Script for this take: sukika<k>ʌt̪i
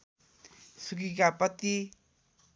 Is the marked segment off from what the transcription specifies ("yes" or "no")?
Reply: yes